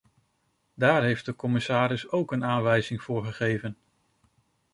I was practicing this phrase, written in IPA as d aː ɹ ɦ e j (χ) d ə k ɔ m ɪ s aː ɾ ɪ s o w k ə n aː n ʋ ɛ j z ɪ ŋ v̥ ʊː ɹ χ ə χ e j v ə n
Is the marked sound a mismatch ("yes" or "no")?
yes